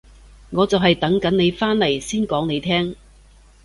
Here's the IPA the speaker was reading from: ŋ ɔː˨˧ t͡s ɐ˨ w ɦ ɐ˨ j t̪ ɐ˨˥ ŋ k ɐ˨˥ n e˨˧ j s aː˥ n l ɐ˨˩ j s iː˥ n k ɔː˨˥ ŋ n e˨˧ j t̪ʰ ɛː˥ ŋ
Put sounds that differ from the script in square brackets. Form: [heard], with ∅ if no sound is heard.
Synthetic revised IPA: ŋ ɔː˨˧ t͡s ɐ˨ w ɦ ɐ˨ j t̪ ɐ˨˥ ŋ k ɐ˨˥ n e˨˧ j [f] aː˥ n l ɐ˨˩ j s iː˥ n k ɔː˨˥ ŋ n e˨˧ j t̪ʰ ɛː˥ ŋ